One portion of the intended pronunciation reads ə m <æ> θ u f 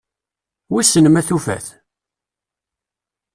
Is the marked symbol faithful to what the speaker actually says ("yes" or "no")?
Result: yes